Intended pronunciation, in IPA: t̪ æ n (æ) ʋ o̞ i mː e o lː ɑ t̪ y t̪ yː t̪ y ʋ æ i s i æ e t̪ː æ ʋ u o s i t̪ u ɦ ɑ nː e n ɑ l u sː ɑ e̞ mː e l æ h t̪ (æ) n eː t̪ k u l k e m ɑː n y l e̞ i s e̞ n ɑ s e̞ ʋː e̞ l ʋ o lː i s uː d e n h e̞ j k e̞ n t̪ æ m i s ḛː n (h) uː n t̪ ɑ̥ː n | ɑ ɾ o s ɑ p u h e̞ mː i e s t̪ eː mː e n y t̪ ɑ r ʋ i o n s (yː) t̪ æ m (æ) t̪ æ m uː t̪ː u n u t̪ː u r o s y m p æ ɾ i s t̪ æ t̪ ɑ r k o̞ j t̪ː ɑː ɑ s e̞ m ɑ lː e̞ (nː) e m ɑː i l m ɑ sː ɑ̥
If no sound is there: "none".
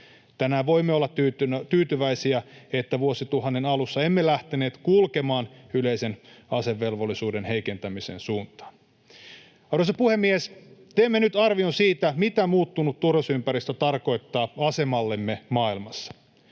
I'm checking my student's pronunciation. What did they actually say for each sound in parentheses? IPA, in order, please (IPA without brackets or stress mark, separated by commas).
æː, e, s, iː, i, mː